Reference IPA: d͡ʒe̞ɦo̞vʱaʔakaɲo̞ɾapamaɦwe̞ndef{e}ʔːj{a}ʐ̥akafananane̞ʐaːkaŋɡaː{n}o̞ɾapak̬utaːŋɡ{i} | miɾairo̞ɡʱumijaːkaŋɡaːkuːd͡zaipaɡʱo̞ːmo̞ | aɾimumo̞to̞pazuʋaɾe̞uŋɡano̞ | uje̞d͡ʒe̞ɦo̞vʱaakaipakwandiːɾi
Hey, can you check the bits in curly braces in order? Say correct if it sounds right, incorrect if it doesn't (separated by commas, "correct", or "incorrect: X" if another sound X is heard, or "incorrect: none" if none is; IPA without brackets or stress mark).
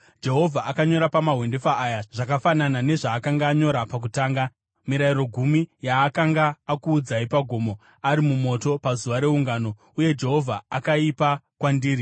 incorrect: a, correct, incorrect: ɲ, incorrect: a